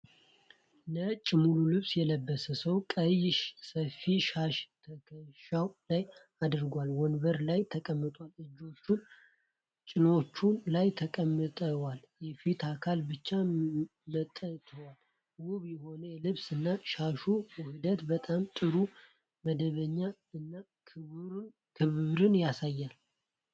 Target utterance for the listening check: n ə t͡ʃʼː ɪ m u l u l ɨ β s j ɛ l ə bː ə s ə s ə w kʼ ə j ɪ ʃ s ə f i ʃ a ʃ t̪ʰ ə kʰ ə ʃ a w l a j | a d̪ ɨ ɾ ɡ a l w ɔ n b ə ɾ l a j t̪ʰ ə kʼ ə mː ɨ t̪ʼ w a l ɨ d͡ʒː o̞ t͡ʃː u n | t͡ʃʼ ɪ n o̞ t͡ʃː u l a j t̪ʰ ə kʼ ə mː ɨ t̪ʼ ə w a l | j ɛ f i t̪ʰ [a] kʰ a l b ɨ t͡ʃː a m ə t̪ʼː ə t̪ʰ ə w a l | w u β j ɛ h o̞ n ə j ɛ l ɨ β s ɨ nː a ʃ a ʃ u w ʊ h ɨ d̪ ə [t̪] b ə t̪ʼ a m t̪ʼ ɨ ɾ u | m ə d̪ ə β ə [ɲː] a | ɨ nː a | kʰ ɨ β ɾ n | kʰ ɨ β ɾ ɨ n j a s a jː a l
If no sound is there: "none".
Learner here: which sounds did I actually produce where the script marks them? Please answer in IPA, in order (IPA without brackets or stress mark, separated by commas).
a, t̪, ɲː